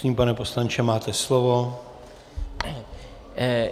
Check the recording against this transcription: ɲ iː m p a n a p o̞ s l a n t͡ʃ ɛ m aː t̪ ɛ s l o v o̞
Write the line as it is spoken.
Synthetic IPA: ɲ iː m p a n ɛ p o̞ s l a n t͡ʃ ɛ m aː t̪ ɛ s l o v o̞